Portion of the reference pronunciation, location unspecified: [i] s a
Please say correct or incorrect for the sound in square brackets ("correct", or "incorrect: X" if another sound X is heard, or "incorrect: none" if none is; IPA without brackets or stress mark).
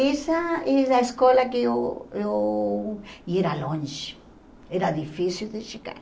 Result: incorrect: e